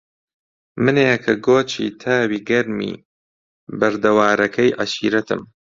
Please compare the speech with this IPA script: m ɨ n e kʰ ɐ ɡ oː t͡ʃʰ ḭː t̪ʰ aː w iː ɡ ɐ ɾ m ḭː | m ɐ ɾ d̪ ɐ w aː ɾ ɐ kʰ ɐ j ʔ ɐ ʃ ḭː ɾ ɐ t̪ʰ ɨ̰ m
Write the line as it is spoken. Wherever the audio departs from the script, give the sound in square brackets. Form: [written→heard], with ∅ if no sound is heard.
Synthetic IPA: m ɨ n e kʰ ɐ ɡ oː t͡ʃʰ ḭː t̪ʰ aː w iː ɡ ɐ ɾ m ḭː | [m→b] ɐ ɾ d̪ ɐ w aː ɾ ɐ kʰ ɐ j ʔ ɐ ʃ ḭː ɾ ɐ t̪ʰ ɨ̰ m